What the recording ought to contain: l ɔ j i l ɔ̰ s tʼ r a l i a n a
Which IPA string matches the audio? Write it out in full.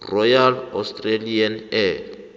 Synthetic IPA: r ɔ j a l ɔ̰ s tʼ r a l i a n ɛ